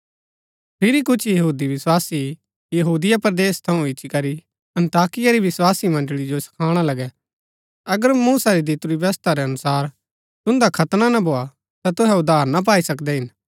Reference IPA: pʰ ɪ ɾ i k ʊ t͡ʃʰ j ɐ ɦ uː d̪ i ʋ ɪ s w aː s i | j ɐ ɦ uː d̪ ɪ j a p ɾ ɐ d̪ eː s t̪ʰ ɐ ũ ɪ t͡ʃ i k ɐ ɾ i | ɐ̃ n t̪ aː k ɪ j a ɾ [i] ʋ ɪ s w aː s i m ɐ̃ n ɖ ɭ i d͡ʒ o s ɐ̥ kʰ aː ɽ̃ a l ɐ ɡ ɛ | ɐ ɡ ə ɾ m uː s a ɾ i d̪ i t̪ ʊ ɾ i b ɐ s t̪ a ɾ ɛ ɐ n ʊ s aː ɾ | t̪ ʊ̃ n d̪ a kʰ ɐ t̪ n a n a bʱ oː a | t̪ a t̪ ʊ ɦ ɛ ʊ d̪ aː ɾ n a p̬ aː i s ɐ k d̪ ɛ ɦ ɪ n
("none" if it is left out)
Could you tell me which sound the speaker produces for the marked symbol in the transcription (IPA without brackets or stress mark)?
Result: i